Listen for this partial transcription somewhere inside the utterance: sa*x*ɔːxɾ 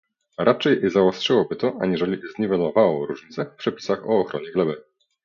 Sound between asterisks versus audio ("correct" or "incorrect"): correct